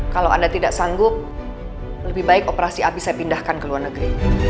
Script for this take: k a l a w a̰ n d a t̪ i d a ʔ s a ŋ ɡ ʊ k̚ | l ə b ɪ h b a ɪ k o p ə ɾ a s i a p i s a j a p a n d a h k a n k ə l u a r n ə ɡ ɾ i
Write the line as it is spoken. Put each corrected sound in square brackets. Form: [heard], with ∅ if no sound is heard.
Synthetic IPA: k a l a w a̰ n d a t̪ i d a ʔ s a ŋ ɡ ʊ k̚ | l ə b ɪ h b a ɪ k o p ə ɾ a s i a p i s a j a p [i] n d a h k a n k ə l u a r n ə ɡ ɾ i